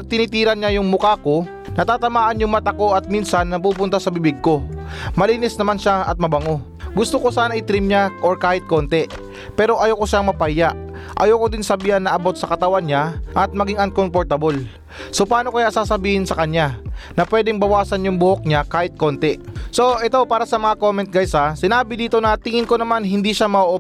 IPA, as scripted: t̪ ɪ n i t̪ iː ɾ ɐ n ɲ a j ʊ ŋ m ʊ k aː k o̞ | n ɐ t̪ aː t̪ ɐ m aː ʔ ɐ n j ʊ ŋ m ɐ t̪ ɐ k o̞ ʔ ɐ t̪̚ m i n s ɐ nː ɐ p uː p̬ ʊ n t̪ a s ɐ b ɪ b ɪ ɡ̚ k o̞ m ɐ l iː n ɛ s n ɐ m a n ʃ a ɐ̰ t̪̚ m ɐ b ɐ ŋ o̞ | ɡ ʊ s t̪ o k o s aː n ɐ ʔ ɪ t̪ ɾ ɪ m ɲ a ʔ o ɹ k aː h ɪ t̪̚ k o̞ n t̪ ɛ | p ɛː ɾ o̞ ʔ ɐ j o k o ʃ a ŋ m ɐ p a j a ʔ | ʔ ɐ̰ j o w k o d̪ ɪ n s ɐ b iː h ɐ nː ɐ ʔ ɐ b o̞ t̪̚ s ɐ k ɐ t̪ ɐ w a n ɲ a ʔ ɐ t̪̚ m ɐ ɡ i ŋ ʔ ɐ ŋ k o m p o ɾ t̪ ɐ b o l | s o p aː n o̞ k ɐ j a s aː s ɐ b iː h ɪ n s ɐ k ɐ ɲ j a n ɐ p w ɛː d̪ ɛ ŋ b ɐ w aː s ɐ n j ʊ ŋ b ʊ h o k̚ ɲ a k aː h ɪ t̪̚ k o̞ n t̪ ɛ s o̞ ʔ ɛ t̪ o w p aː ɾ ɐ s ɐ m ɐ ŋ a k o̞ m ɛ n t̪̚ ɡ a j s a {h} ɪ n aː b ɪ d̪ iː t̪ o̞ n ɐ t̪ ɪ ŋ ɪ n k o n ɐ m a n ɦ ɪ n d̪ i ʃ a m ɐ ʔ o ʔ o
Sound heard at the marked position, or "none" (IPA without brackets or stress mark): s